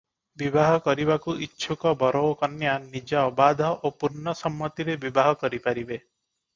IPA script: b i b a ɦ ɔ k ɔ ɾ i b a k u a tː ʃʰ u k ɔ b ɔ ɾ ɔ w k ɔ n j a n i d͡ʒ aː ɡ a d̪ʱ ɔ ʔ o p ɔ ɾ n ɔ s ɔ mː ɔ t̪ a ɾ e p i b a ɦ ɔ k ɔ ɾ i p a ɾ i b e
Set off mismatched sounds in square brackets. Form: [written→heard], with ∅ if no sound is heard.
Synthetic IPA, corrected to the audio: b i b a ɦ ɔ k ɔ ɾ i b a k u [a→i] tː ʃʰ u k ɔ b ɔ ɾ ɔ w k ɔ n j a n i d͡ʒ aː [ɡ→b] a d̪ʱ ɔ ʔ o p [ɔ→u] ɾ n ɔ s ɔ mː ɔ t̪ [a→i] ɾ e [p→b] i b a ɦ ɔ k ɔ ɾ i p a ɾ i b e